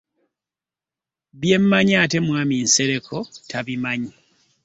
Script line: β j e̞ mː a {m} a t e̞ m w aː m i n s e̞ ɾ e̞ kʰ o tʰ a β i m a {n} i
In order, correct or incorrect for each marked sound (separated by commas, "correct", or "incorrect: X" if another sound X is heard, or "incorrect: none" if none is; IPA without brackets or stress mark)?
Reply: incorrect: ɲ, incorrect: ɲ